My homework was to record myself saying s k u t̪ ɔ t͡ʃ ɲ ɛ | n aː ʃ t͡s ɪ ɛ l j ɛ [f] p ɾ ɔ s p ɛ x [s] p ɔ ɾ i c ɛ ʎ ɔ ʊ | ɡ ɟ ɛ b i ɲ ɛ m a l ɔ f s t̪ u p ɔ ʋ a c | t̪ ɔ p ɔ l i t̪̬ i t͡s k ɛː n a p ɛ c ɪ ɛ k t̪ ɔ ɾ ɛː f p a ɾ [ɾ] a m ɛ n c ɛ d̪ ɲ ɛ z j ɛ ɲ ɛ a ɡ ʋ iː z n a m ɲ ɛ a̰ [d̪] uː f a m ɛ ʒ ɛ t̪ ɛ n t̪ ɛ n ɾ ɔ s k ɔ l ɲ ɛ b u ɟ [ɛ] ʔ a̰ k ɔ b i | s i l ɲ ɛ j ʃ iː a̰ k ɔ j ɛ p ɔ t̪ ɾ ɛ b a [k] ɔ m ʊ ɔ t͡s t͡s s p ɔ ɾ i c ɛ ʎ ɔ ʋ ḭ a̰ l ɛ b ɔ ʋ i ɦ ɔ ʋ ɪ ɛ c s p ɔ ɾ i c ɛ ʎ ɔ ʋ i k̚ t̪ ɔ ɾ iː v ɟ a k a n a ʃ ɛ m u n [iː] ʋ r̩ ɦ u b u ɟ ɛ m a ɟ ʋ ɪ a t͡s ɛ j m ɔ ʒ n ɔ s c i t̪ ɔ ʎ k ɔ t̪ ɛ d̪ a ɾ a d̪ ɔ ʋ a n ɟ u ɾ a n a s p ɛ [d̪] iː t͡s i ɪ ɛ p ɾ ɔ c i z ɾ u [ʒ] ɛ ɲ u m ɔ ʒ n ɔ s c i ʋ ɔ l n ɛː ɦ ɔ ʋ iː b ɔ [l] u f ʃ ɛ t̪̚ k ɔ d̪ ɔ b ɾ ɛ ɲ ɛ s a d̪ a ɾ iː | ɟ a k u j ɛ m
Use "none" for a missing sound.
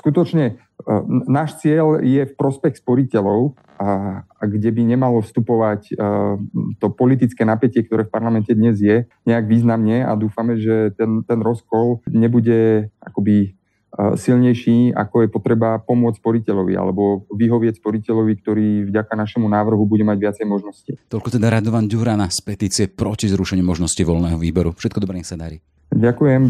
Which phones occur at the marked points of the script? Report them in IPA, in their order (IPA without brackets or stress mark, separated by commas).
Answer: f, s, l, d̪, ɛ, p, aː, t̪, ʃ, ɾ